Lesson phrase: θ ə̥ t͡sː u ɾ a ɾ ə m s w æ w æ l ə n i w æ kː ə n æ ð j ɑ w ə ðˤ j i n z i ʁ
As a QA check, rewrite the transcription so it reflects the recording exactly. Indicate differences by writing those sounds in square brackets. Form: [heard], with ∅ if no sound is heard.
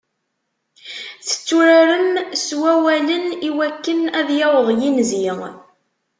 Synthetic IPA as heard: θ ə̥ t͡sː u ɾ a ɾ ə m s w æ w æ l ə n i w æ kː ə n æ ð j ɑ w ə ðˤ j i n z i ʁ